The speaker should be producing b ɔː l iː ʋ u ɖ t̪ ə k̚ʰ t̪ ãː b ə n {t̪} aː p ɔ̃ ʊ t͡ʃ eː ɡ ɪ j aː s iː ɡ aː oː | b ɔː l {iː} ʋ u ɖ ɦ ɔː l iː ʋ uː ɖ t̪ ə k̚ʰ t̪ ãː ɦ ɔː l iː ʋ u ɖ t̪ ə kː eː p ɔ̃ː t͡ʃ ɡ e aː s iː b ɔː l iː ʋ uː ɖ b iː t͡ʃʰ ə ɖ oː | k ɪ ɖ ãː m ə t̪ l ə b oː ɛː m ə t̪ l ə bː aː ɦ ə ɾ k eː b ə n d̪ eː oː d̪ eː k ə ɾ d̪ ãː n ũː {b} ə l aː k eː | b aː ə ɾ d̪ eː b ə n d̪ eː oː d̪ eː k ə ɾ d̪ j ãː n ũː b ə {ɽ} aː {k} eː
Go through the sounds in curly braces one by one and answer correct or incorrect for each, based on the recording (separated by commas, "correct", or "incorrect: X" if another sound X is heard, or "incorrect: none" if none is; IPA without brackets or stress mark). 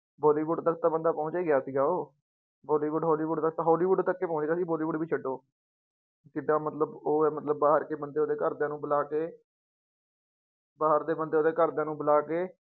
incorrect: d̪, correct, correct, incorrect: l, correct